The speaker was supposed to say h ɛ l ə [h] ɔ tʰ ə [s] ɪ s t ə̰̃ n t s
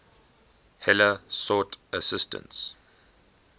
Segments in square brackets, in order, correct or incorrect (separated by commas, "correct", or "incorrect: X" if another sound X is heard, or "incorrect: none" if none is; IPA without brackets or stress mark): incorrect: s, correct